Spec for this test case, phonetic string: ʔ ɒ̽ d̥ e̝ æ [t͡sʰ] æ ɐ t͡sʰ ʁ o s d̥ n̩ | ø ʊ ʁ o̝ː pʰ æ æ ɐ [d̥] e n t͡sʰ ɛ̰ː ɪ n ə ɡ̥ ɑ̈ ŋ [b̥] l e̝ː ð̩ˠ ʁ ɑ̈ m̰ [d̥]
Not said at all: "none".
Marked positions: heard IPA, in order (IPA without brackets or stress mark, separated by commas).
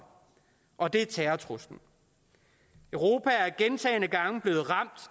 t͡sʰ, ɡ̥, b̥, d̥